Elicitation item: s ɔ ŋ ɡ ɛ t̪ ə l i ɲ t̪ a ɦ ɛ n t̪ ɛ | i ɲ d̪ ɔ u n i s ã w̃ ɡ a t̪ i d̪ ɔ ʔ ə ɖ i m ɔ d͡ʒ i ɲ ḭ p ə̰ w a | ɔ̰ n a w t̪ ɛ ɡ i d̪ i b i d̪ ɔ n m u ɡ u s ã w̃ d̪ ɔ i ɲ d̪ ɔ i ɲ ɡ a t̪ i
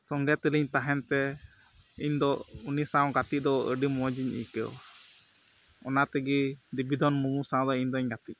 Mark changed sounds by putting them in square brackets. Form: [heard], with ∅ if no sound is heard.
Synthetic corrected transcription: s ɔ ŋ ɡ ɛ t̪ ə l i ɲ t̪ a ɦ ɛ n t̪ ɛ | i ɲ d̪ ɔ u n i s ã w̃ ɡ a t̪ i d̪ ɔ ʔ ə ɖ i m ɔ d͡ʒ i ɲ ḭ [k] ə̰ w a | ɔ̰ n a [∅] t̪ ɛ ɡ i d̪ i b i d̪ ɔ n m u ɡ u s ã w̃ d̪ ɔ i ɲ d̪ ɔ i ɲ ɡ a t̪ i